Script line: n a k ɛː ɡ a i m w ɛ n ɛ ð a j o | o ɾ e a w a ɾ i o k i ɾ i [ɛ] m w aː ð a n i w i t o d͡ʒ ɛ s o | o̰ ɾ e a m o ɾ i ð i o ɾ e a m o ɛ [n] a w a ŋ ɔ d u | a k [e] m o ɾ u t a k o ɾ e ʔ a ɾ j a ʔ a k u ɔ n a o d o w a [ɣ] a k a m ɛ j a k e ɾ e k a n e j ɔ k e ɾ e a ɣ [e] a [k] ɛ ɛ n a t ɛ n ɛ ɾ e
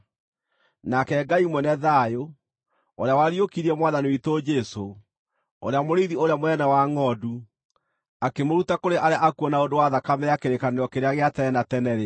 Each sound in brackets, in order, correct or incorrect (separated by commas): correct, correct, correct, incorrect, correct, incorrect